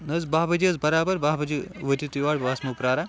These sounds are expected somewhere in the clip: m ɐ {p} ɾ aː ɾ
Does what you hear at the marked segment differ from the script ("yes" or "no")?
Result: no